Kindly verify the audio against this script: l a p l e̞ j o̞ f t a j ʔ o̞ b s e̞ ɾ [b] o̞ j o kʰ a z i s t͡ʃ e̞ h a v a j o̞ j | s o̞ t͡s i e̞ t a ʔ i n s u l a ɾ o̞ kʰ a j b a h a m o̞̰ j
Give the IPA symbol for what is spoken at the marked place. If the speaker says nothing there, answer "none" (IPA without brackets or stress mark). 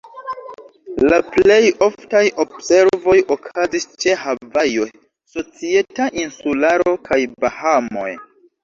v